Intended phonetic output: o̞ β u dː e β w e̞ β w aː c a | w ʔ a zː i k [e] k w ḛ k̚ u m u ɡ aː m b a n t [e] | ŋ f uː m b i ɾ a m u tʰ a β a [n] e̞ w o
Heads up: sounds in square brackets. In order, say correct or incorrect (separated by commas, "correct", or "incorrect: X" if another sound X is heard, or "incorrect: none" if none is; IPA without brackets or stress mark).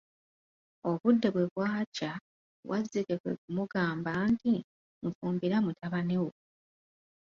correct, incorrect: i, correct